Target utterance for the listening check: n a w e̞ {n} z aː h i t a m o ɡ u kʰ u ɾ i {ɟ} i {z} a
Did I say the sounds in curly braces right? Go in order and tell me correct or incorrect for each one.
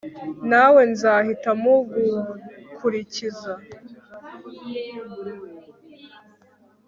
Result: correct, incorrect: c, correct

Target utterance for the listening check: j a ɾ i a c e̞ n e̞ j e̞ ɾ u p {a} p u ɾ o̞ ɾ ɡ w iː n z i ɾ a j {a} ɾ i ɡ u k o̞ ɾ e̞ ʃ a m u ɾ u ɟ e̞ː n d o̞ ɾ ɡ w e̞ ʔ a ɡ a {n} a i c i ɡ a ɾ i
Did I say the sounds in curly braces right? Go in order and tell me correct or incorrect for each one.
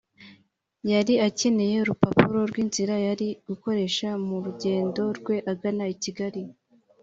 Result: correct, correct, correct

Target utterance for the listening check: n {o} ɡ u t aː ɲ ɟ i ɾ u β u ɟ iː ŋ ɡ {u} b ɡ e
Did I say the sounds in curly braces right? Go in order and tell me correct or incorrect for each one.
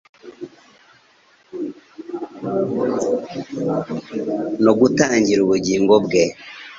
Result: correct, incorrect: o

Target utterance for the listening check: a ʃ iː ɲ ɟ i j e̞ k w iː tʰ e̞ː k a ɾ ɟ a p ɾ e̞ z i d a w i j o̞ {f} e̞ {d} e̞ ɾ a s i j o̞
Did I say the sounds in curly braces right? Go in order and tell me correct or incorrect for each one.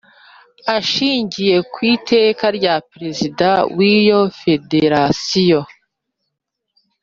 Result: correct, correct

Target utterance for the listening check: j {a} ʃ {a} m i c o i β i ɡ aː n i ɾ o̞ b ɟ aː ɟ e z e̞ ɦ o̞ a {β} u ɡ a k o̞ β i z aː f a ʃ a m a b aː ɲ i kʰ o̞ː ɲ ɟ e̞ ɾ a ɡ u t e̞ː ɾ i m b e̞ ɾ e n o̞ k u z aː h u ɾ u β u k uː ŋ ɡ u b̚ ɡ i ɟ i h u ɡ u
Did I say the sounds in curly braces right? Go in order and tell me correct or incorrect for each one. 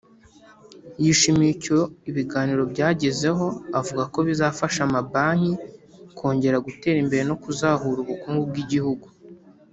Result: incorrect: i, incorrect: i, incorrect: v

